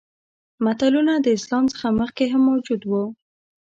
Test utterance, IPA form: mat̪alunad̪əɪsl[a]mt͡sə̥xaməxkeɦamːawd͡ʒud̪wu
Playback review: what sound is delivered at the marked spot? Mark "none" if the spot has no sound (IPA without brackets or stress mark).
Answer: ɑ